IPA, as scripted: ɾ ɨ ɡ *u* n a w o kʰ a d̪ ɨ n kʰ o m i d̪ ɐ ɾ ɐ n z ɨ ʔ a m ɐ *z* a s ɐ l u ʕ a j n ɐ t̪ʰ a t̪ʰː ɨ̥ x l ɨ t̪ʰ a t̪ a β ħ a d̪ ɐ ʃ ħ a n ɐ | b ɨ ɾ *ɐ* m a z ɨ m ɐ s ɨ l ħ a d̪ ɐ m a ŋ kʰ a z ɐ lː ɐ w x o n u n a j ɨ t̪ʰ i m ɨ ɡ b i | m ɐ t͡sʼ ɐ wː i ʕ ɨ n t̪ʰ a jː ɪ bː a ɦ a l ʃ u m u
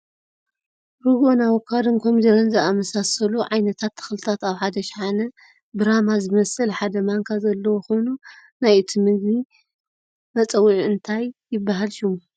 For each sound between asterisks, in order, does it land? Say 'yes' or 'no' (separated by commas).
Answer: no, no, no